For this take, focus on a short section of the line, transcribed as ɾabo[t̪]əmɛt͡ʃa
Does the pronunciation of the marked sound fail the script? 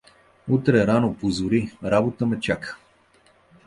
no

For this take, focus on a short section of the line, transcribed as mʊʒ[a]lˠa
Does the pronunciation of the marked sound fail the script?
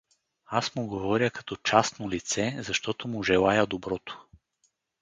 yes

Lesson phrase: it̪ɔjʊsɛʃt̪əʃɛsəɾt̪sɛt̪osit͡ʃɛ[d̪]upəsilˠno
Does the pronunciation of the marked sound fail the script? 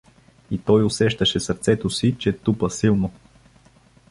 yes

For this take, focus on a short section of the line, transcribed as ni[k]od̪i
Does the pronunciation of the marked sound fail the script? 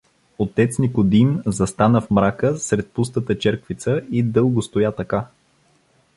no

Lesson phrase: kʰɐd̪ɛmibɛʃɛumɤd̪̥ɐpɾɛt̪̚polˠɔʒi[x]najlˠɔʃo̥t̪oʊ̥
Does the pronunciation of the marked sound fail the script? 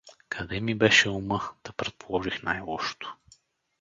no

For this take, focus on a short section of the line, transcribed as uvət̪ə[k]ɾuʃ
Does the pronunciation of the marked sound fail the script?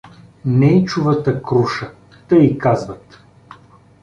no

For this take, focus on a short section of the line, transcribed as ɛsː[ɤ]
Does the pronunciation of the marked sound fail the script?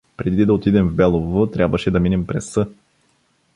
no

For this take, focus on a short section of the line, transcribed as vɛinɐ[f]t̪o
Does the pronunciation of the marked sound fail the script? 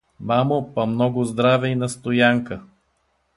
yes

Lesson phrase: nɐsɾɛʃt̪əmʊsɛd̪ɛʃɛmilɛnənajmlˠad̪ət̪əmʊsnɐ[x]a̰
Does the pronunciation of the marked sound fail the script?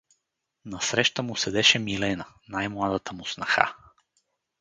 no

